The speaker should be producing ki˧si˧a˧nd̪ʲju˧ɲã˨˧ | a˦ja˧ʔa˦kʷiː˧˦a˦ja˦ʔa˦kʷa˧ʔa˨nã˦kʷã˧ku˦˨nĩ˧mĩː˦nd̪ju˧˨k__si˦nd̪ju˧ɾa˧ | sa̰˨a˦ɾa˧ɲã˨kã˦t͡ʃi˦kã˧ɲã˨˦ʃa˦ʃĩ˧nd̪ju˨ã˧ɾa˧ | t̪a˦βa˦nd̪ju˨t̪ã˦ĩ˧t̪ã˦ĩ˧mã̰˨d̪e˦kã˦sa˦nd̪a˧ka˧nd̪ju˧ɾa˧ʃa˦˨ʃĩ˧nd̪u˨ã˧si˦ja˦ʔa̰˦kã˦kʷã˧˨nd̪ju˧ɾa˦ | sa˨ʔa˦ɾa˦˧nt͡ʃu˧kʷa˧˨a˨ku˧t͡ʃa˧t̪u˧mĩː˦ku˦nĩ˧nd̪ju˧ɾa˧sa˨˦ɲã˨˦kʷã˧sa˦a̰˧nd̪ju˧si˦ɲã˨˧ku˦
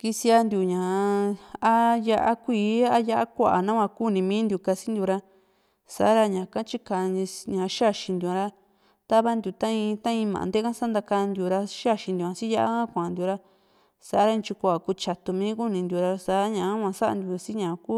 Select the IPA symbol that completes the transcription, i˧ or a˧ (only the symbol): a˧